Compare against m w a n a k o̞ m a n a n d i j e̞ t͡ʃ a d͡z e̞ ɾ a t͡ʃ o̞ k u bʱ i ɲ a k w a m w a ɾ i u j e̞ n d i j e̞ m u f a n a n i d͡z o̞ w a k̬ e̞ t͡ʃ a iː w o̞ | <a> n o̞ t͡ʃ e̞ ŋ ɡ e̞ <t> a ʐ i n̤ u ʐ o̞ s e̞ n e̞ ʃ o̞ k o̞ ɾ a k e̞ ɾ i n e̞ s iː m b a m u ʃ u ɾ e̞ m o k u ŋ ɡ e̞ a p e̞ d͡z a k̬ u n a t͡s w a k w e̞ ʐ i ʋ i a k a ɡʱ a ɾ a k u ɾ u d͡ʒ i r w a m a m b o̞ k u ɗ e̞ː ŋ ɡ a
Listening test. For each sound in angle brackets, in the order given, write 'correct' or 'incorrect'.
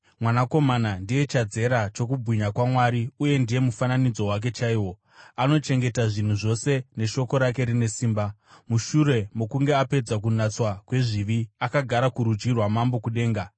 correct, correct

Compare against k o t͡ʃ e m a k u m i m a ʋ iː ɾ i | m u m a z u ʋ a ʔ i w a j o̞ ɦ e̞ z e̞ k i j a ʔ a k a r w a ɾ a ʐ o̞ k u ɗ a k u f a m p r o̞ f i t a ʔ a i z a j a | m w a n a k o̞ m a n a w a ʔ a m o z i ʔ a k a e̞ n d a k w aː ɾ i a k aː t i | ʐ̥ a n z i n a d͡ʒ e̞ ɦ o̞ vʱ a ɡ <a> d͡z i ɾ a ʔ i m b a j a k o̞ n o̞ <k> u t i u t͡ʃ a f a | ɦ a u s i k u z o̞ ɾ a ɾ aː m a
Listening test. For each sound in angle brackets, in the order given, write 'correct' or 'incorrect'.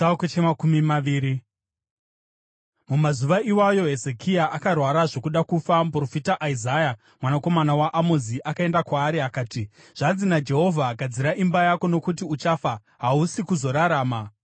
correct, correct

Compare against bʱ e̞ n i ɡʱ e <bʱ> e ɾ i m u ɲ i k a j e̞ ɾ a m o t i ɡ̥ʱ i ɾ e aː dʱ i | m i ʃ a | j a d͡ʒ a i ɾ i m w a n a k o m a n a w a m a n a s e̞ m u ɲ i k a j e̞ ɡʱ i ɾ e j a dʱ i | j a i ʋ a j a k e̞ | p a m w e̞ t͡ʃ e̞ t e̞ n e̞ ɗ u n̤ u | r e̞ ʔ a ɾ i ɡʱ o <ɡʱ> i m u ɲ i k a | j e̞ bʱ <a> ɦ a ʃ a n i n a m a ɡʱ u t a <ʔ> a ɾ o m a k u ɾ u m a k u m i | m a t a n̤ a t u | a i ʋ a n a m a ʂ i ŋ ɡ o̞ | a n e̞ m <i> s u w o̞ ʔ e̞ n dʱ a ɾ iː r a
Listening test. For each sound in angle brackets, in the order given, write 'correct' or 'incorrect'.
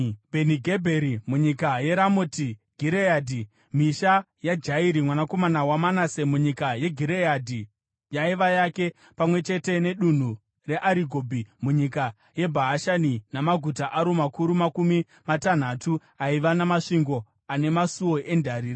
correct, incorrect, correct, correct, incorrect

